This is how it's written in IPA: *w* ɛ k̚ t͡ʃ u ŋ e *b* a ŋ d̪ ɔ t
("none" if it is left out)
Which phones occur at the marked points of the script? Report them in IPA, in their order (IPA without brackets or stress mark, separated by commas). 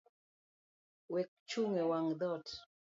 w, w